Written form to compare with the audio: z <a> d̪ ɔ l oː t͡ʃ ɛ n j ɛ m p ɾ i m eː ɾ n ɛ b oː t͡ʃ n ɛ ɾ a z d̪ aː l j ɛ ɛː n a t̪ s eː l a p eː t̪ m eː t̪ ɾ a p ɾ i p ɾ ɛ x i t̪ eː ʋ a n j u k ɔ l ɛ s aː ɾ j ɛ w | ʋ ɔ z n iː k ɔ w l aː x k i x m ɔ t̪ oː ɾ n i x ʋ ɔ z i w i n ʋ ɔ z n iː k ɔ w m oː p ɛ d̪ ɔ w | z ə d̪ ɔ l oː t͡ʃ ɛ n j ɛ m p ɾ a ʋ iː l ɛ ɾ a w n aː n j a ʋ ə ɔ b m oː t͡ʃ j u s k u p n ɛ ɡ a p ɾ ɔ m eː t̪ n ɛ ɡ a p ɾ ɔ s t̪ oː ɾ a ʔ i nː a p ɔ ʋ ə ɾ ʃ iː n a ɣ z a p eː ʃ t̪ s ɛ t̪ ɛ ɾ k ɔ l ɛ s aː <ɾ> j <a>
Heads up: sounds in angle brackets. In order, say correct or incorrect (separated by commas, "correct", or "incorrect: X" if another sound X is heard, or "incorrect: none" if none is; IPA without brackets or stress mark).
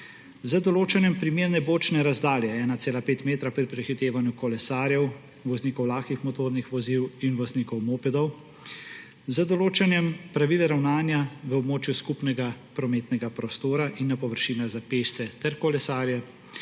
incorrect: ə, correct, incorrect: ɛ